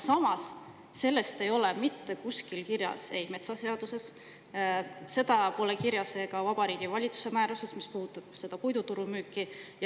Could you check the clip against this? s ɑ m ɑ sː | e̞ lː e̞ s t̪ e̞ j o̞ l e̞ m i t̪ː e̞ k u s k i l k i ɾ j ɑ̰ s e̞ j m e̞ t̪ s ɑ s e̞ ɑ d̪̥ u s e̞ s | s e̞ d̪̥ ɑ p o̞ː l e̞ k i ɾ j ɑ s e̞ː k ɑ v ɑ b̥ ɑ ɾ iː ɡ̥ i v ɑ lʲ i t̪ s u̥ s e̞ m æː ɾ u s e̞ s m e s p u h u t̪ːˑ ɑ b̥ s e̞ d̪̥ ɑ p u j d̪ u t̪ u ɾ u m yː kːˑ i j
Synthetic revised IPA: s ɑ m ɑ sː | e̞ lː e̞ s t̪ e̞ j o̞ l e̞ m i t̪ː e̞ k u s k i l k i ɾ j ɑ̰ s e̞ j m e̞ t̪ s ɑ s e̞ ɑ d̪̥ u s e̞ s | s e̞ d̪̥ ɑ p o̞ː l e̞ k i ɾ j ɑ s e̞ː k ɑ v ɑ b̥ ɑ ɾ iː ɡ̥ i v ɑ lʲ i t̪ s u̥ s e̞ m æː ɾ u s e̞ s m i s p u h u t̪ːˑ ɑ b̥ s e̞ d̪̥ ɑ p u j d̪ u t̪ u ɾ u m yː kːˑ i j